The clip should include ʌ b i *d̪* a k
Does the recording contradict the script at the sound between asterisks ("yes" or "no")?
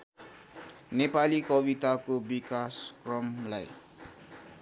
yes